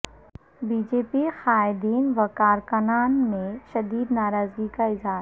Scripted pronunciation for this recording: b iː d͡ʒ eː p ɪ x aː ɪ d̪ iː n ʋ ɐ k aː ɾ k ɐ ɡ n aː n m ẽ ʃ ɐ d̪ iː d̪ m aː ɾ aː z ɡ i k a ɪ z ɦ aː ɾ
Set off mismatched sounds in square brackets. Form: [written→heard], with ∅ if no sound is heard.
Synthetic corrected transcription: b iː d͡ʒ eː p [ɪ→i] x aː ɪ d̪ iː n ʋ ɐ k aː ɾ k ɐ [ɡ→∅] n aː n m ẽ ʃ ɐ d̪ iː d̪ [m→n] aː ɾ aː z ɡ i k a ɪ z ɦ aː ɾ